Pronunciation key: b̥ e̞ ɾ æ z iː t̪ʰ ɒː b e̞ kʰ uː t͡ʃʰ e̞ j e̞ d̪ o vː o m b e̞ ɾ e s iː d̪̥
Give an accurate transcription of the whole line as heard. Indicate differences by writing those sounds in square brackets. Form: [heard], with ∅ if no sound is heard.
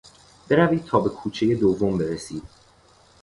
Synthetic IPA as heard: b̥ e̞ ɾ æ [v] iː t̪ʰ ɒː b e̞ kʰ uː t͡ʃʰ e̞ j e̞ d̪ o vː o m b e̞ ɾ e s iː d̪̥